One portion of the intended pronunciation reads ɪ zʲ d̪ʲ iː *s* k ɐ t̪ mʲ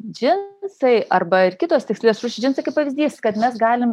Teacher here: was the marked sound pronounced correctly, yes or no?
yes